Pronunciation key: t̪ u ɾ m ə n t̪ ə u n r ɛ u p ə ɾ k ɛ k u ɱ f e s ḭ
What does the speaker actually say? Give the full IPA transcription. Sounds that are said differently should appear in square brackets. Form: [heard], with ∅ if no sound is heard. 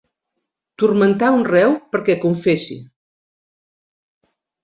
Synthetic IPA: t̪ u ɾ m ə n t̪ [a] u n r ɛ [w] p ə ɾ k ɛ k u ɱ f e s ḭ